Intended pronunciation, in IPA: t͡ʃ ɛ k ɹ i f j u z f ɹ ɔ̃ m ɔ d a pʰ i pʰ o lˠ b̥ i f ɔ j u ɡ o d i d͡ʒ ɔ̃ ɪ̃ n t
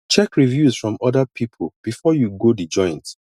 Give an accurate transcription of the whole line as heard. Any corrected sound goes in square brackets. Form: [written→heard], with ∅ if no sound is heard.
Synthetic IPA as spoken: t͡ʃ ɛ k ɹ i [f→v] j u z f ɹ ɔ̃ m ɔ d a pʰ i pʰ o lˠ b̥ i f ɔ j u ɡ o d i d͡ʒ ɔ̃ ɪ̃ n t

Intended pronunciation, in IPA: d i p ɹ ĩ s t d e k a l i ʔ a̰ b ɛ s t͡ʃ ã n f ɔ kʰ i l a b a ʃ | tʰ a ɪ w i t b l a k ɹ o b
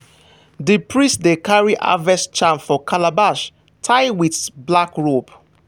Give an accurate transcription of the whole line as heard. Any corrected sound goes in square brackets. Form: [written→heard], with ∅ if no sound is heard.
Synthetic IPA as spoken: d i p ɹ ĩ s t d e k a [l→ɹ] i ʔ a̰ [b→v] ɛ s t͡ʃ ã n f ɔ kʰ [i→a] l a b a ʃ | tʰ a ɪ w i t b l a k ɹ o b

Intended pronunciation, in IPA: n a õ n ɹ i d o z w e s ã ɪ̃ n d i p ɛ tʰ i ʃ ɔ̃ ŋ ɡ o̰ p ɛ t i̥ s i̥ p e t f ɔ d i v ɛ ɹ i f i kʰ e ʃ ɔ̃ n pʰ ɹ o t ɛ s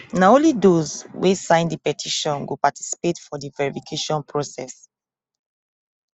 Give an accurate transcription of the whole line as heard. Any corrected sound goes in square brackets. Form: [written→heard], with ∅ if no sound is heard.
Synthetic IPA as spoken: n a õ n [ɹ→l] i d o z w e s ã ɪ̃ n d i p ɛ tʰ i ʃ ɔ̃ [ŋ→n] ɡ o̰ p [ɛ→a] t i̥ s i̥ p e t f ɔ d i v ɛ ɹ i f i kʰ e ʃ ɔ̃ n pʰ ɹ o [t→s] ɛ s

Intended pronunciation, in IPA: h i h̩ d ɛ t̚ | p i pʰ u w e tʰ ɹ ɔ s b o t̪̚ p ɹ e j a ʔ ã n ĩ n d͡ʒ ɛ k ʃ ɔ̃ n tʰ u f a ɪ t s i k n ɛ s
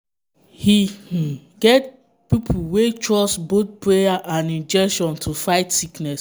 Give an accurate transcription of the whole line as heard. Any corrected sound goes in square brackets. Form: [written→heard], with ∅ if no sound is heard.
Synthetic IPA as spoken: h i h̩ [d→ɡ] ɛ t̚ | p i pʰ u w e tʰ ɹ ɔ s b o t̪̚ p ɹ e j a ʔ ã n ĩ n d͡ʒ ɛ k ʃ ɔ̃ n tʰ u f a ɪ t s i k n ɛ s

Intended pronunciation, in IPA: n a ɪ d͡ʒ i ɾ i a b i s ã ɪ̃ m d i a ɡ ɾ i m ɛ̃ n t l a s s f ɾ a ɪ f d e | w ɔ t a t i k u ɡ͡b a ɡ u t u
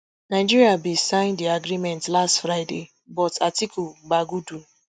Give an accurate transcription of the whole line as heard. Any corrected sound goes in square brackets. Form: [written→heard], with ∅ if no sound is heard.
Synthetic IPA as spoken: n a ɪ d͡ʒ i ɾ i a b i s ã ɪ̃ [m→n] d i a ɡ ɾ i m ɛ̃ n t l a s [s→t] f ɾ a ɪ [f→∅] d e | [w→b] ɔ t a t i k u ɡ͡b a ɡ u [t→d] u

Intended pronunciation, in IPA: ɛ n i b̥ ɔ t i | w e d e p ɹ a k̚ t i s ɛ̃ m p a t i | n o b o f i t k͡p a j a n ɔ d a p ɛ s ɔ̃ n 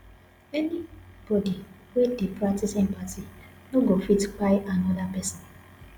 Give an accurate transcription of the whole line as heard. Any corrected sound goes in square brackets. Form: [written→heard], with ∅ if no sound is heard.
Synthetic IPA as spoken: ɛ n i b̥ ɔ [t→d] i | w e d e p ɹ a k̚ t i s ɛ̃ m p a t i | n o [b→ɡ] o f i t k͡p a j a n ɔ d a p ɛ s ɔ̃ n

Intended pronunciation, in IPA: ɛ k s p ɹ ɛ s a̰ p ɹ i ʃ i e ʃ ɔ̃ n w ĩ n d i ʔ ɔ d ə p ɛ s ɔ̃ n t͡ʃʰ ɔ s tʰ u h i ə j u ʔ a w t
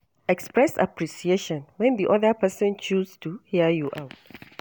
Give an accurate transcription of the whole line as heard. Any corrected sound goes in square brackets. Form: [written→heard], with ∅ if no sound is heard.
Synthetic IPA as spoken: ɛ k s p ɹ ɛ s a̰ p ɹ i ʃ i e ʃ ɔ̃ n w [ĩ→ɛ̃] n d i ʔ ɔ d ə p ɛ s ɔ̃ n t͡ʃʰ [ɔ→u] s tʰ u h i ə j u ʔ a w t

